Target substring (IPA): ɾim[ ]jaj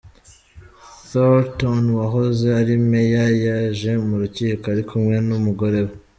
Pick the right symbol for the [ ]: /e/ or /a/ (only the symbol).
e